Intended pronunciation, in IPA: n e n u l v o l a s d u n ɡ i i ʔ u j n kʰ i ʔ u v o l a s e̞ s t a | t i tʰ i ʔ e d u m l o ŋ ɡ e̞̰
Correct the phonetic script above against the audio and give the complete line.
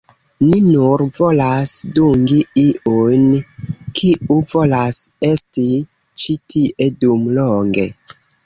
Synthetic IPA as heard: n i n u ɾ v o l a s d u ŋ ɡ i i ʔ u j n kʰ i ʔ u v o l a s e̞ s t i | t͡ʃ i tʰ i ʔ e d u m l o ŋ ɡ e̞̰